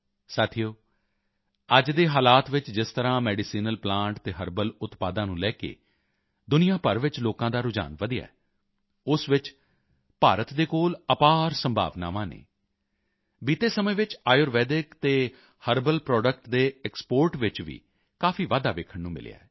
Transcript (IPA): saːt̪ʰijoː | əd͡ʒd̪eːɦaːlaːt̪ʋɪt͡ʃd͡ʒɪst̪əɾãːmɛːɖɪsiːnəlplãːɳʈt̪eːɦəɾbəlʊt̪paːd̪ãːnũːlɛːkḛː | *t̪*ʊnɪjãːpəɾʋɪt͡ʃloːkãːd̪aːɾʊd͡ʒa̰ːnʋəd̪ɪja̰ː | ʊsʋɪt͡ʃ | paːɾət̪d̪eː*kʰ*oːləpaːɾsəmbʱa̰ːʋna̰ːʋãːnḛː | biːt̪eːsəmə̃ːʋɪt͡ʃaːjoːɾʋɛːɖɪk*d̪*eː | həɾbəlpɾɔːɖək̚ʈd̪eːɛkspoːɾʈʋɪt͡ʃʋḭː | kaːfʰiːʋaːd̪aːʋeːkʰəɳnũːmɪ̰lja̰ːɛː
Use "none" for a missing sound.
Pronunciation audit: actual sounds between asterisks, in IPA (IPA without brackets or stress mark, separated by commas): d̪, k, t̪